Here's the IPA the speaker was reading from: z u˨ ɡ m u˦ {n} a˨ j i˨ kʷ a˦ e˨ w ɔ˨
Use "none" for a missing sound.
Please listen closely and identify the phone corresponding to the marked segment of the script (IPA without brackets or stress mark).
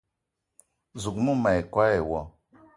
m